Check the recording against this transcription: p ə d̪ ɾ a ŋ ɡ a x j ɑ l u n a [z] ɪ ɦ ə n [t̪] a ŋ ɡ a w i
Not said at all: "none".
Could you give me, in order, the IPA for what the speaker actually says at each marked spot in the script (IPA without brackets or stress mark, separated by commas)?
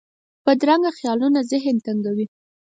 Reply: z, t̪